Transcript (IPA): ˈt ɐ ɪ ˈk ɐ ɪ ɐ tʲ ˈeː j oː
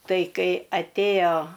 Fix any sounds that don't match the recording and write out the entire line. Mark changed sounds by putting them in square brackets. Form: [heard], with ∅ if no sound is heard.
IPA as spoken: ˈt ɐ ɪ ˈk ɐ ɪ ɐ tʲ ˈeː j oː